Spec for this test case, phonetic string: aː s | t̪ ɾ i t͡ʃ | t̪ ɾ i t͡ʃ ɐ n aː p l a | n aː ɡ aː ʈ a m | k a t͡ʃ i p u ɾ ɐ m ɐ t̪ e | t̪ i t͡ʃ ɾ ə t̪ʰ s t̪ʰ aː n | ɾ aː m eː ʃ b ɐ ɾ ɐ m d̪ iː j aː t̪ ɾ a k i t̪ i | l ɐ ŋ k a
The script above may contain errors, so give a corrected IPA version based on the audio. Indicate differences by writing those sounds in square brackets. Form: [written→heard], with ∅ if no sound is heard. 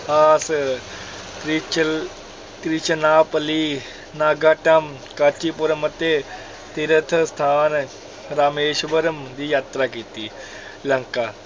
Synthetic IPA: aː s | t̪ ɾ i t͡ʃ | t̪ ɾ i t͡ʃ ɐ n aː p l [a→i] | n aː ɡ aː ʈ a m | k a t͡ʃ i p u ɾ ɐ m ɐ t̪ e | t̪ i [t͡ʃ→∅] ɾ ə t̪ʰ s t̪ʰ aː n | ɾ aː m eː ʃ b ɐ ɾ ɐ m d̪ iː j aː t̪ ɾ a k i t̪ i | l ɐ ŋ k a